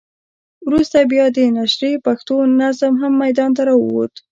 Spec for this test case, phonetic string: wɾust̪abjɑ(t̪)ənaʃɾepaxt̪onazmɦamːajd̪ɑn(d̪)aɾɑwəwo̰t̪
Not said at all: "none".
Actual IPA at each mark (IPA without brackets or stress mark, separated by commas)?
d̪, t̪